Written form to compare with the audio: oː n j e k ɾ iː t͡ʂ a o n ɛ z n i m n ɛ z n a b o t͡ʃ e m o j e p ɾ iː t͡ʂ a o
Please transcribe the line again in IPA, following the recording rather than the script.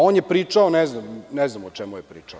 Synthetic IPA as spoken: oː n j e p ɾ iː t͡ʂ a o n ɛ z n a m n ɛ z n a m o t͡ʃ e m u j e p ɾ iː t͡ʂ a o

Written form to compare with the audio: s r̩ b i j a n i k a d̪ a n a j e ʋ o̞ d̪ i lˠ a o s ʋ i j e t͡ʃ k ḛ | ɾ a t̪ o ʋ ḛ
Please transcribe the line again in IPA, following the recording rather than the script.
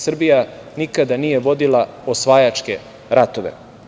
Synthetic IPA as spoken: s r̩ b i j a n i k a d̪ a n i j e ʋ o̞ d̪ i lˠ a o s ʋ a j a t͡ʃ k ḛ | ɾ a t̪ o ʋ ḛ

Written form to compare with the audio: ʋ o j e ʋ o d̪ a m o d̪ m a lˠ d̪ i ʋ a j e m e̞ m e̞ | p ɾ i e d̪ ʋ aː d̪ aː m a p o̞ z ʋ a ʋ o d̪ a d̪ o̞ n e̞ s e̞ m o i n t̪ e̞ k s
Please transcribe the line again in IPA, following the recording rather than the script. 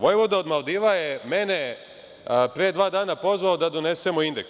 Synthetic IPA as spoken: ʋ o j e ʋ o d̪ a o d̪ m a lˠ d̪ i ʋ a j e m e̞ n e̞ | p ɾ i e d̪ ʋ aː d̪ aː n a p o̞ z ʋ a o d̪ a d̪ o̞ n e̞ s e̞ m o i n d̪ e̞ k s

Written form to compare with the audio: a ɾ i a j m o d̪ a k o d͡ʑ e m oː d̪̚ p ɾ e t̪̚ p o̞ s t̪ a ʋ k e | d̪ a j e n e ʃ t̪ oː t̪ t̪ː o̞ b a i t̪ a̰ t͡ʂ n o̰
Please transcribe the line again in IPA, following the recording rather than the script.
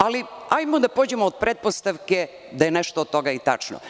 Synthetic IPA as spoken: a l i a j m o d̪ a p o d͡ʑ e m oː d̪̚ p ɾ e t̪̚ p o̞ s t̪ a ʋ k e | d̪ a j e n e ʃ t̪ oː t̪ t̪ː o̞ ɡ a i t̪ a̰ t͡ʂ n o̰

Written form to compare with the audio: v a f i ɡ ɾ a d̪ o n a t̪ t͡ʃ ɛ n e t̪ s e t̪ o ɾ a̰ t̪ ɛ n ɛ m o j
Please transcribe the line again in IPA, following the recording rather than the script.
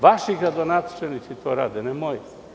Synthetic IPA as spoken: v a ʃ i ɡ ɾ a d̪ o n a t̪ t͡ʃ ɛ n i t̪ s i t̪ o ɾ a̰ d̪ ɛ n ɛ m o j

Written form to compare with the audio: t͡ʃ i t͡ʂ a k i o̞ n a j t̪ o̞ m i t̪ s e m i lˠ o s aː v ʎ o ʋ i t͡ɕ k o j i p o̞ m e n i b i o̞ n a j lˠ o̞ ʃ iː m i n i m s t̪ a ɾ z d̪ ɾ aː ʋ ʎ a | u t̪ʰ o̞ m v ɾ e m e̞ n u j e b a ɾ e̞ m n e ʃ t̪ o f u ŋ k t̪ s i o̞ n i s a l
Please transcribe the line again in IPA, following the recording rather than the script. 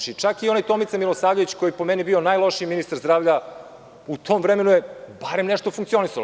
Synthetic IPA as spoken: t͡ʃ i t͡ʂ a k i o̞ n a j t̪ o̞ m i t̪ s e m i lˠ o s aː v ʎ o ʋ i t͡ɕ k o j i p o̞ m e n i b i o̞ n a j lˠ o̞ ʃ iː m i n i s t̪ a ɾ z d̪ ɾ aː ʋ ʎ a | u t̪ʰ o̞ m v ɾ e m e̞ n u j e b a ɾ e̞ m n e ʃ t̪ o f u ŋ k t̪ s i o̞ n i s a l

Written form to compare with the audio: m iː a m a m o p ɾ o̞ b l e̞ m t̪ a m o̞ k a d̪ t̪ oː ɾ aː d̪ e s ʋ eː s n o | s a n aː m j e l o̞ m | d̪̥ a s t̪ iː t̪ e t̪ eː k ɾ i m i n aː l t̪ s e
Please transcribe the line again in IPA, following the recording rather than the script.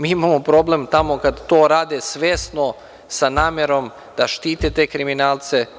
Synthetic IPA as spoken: m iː i m a m o p ɾ o̞ b l e̞ m t̪ a m o̞ k a d̪ t̪ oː ɾ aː d̪ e s ʋ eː s n o | s a n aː m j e ɾ o̞ m | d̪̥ a ʃ t̪ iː t̪ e t̪ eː k ɾ i m i n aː l t̪ s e

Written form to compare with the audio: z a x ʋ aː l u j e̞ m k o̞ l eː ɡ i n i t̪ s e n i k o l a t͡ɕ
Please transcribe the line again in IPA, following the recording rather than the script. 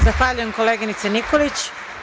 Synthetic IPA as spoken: z a x ʋ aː ʎ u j e̞ m k o̞ l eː ɡ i n i t̪ s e n i k o l i t͡ɕ

